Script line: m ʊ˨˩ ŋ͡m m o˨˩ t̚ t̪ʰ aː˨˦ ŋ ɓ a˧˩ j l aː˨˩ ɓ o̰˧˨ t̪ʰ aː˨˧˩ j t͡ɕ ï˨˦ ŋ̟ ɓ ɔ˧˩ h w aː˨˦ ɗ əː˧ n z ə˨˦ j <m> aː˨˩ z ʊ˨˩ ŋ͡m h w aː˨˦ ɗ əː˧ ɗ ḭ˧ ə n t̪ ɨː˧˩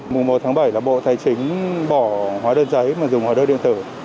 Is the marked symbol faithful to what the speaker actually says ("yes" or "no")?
yes